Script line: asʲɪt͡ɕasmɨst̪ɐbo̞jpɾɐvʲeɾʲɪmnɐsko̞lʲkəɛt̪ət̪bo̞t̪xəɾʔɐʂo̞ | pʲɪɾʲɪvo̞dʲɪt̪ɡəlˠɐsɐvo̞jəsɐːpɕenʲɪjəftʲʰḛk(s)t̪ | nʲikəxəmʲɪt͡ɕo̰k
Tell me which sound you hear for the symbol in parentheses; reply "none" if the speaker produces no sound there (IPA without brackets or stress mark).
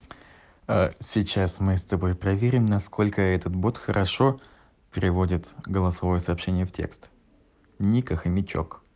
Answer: s